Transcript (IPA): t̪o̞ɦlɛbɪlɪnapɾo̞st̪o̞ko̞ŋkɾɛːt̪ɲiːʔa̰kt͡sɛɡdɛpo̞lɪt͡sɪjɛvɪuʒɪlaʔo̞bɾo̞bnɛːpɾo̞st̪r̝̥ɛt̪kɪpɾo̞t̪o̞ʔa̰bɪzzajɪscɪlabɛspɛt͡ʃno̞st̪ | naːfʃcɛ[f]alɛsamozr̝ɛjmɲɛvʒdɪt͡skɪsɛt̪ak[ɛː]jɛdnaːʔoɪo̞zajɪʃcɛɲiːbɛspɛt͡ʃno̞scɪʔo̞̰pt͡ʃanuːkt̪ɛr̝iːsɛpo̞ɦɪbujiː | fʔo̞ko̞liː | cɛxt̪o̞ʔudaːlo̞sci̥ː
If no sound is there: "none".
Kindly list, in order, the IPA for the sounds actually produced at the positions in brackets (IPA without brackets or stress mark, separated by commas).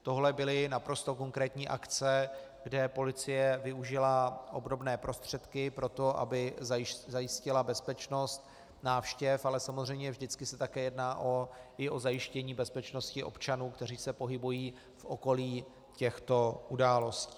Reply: f, ɛː